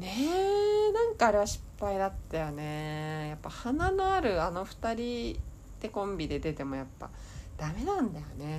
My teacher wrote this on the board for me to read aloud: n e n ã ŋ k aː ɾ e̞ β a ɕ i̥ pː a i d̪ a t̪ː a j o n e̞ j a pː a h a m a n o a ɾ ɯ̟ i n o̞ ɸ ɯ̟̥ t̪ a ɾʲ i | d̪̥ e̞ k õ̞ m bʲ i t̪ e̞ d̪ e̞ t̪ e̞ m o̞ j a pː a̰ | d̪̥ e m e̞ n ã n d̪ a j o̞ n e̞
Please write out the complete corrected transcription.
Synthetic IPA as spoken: n e n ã ŋ k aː ɾ e̞ β a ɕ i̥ pː a i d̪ a t̪ː a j o n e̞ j a pː a h a n a n o a ɾ ɯ̟ a n o̞ ɸ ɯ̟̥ t̪ a ɾʲ i | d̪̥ e̞ k õ̞ m bʲ i d̪ e̞ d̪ e̞ t̪ e̞ m o̞ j a pː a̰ | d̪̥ a m e̞ n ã n d̪ a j o̞ n e̞